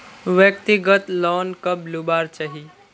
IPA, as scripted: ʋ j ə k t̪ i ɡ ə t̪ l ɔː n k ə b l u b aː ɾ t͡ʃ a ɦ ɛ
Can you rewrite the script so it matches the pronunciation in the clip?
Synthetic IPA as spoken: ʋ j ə k t̪ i ɡ ə t̪ l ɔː n k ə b l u b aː ɾ t͡ʃ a ɦ i